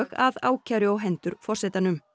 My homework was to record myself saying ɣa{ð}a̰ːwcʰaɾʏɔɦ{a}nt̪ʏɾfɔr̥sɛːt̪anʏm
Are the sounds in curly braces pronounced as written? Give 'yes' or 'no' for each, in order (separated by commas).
yes, no